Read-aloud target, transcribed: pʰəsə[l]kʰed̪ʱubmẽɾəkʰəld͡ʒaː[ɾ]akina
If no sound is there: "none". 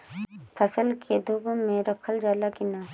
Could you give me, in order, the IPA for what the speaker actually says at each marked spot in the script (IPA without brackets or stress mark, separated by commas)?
l, l